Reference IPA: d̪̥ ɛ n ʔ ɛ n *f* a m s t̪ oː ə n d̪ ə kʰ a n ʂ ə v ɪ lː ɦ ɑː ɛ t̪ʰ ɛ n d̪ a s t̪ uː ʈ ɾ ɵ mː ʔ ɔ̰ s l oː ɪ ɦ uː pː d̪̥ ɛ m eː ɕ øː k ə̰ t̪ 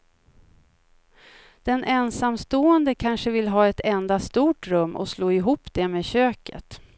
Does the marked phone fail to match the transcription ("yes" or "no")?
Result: yes